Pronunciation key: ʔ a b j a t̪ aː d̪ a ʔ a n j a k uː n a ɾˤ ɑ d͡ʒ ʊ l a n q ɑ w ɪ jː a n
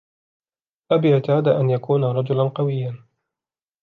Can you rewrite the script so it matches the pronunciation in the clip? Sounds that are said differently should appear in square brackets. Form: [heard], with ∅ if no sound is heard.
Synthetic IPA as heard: ʔ a b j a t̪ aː d̪ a ʔ a n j a k uː n a ɾˤ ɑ d͡ʒ ʊ l a n q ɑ w ɪ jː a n